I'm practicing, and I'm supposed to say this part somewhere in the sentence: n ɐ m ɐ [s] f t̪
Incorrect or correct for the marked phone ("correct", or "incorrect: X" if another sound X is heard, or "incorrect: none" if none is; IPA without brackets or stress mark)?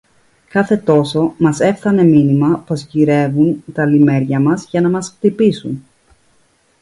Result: correct